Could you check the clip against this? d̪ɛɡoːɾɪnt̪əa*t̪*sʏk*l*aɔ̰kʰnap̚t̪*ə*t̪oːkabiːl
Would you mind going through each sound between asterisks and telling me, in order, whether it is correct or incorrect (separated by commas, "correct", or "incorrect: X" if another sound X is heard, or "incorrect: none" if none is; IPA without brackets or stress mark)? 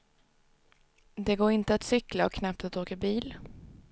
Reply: correct, correct, incorrect: a